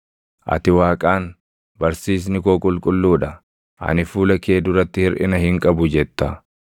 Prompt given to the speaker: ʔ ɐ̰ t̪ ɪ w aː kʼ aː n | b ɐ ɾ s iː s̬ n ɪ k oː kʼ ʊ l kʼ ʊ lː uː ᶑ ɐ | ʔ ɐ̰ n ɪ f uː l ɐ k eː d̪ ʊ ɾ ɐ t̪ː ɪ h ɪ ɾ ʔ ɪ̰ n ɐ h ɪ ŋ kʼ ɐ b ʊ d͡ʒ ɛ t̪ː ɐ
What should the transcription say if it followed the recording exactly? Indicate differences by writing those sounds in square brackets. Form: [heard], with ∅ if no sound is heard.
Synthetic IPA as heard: ʔ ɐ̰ t̪ ɪ w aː kʼ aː n | b ɐ ɾ s iː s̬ n ɪ k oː kʼ ʊ l kʼ ʊ lː uː ᶑ ɐ | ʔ ɐ̰ n ɪ f uː l ɐ k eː d̪ ʊ ɾ ɐ t̪ː ɪ h ɪ ɾ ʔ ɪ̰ n ɐ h ɪ ŋ kʼ ɐ b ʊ d͡ʒ ɛ t̪ː ɐ